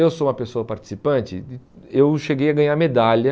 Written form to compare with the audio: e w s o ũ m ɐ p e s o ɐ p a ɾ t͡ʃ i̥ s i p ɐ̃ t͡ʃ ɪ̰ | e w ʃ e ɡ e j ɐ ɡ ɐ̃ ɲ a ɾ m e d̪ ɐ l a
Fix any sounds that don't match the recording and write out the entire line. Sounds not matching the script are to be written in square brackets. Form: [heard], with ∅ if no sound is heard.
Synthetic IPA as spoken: e w s o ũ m ɐ p e s o ɐ p a ɾ t͡ʃ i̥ s i p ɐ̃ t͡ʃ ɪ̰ | e w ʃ e ɡ e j ɐ ɡ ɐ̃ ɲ a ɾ m e d̪ [a] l [ɐ]